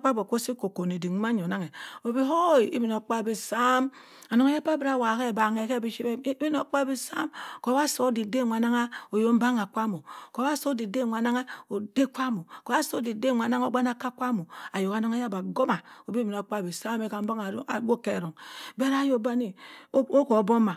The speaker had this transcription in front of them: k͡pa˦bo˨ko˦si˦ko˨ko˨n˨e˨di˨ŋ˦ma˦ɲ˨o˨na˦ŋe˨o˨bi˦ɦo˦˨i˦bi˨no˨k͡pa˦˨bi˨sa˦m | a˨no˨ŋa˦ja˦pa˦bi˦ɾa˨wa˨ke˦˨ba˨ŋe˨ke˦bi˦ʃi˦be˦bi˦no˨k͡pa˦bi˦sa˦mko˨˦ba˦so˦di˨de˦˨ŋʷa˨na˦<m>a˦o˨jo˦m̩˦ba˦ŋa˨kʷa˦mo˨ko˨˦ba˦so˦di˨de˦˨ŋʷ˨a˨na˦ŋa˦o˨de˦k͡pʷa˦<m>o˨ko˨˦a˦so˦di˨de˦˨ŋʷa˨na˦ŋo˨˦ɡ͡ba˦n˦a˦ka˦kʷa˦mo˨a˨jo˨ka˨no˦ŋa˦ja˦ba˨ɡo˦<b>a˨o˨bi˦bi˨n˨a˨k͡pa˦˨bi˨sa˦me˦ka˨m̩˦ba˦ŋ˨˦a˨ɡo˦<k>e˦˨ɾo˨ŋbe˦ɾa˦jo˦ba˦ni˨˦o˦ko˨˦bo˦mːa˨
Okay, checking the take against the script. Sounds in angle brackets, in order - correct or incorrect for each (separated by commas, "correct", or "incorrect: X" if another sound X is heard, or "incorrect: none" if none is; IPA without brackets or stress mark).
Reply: incorrect: ŋ, correct, incorrect: m, correct